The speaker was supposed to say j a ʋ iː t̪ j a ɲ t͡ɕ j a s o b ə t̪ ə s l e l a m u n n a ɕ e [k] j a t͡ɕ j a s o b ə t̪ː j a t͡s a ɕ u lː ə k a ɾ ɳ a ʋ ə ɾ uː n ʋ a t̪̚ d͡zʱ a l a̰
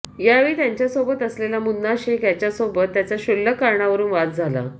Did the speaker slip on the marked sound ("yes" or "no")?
no